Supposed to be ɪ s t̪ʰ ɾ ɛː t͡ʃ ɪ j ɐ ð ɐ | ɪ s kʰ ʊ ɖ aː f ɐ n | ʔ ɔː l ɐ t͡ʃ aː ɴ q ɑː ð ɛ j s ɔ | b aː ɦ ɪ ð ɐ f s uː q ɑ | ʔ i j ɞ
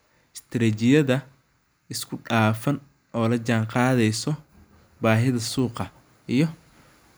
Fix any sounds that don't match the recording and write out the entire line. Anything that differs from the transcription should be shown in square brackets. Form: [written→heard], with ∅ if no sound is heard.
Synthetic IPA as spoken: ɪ s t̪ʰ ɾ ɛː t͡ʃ ɪ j ɐ ð ɐ | ɪ s kʰ ʊ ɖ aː f ɐ n | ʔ ɔː l ɐ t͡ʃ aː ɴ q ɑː ð ɛ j s ɔ | b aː ɦ ɪ ð ɐ [f→∅] s uː q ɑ | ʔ i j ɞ